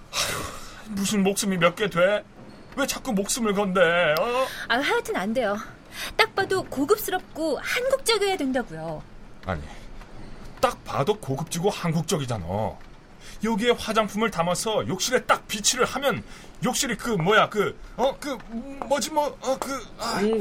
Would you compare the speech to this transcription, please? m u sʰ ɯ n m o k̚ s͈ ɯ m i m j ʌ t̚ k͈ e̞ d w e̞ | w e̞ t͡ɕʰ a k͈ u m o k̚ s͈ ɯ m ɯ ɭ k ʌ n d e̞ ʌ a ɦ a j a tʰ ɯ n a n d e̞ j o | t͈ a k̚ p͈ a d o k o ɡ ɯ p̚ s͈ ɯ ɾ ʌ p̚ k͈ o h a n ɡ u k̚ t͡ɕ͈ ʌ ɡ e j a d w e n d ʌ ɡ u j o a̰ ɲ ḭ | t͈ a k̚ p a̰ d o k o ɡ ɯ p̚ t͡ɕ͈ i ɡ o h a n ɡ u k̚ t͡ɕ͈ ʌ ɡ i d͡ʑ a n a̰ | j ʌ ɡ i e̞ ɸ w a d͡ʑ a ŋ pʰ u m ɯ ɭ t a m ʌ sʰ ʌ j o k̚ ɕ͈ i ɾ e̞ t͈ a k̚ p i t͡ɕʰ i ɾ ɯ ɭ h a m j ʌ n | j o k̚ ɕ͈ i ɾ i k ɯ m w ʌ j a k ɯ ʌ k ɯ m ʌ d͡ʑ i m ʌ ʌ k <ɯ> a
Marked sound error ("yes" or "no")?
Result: no